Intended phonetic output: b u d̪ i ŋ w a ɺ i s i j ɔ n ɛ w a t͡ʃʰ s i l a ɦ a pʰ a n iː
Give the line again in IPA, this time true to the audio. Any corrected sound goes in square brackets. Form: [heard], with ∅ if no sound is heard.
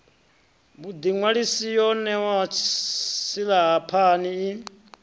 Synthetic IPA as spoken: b u d̪ i ŋ w a ɺ i s i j ɔ n ɛ w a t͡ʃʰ s i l a ɦ a pʰ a n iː

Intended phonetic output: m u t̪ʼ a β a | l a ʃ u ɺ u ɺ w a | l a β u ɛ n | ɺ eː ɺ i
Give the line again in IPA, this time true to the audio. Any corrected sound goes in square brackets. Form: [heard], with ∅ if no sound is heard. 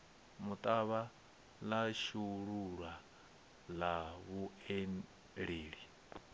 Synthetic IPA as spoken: m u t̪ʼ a β a | l a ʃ u ɺ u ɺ w a | l a β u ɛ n | ɺ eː ɺ i

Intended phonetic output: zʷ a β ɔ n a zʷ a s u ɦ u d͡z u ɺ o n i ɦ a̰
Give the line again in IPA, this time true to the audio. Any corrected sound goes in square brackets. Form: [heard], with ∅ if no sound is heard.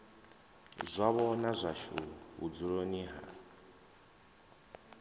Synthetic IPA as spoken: zʷ a β ɔ n a zʷ a [ʃ] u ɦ u d͡z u ɺ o n i ɦ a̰

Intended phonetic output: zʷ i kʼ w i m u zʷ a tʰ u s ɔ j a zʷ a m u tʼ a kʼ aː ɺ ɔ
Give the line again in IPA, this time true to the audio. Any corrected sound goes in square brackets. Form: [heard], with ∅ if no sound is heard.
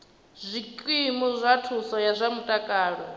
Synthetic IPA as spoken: zʷ i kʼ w i m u zʷ a tʰ u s ɔ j a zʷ a m u tʼ a kʼ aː ɺ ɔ

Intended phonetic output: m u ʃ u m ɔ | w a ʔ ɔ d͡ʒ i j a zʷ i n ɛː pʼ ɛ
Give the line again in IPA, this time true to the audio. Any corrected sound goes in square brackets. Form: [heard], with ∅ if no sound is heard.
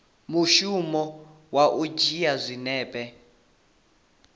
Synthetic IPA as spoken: m u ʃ u m ɔ | w a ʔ [u] d͡ʒ i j a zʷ i n ɛː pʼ ɛ

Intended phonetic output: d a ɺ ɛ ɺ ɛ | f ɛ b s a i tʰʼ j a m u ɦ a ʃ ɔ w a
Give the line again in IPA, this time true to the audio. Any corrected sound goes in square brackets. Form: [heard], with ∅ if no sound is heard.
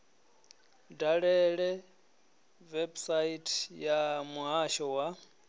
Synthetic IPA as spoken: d a ɺ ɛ ɺ ɛ | [v] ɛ b s a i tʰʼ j a m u ɦ a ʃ ɔ w a

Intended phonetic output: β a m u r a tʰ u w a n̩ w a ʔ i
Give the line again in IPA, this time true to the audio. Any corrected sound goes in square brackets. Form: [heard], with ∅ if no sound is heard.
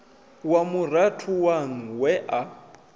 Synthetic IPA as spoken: [w] a m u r a tʰ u w a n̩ w [ɛ] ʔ [a]

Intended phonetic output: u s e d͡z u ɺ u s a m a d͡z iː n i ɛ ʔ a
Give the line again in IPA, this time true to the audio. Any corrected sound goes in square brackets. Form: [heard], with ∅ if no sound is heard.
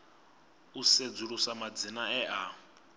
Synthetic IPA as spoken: u s e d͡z u ɺ u s a m a d͡z [i] n [a] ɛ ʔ a

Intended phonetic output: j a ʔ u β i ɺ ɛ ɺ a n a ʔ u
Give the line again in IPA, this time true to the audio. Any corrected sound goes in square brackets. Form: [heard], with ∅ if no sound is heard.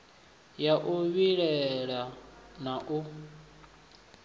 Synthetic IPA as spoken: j a ʔ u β i ɺ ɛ ɺ a n a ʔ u

